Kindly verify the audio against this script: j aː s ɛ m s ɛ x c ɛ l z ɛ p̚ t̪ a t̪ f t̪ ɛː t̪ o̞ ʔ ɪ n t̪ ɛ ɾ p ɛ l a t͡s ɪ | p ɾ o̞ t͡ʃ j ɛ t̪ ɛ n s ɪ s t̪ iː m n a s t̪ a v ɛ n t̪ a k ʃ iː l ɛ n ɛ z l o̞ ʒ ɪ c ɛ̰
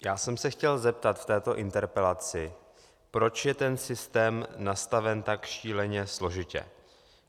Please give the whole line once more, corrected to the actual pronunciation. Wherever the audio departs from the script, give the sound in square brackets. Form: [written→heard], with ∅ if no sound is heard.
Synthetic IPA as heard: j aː s ɛ m s ɛ x c ɛ l z ɛ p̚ t̪ a t̪ f t̪ ɛː t̪ o̞ ʔ ɪ n t̪ ɛ ɾ p ɛ l a t͡s ɪ | p ɾ o̞ t͡ʃ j ɛ t̪ ɛ n s ɪ s t̪ [iː→ɛː] m n a s t̪ a v ɛ n t̪ a k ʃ iː l ɛ [n→ɲ] ɛ [z→s] l o̞ ʒ ɪ c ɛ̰